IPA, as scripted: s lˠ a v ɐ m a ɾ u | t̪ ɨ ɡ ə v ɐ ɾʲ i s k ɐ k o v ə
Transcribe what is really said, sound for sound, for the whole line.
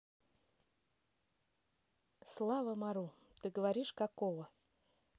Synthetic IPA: s lˠ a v ə m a ɾ u | t̪ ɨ ɡ ə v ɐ ɾʲ i ʂ k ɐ k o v ə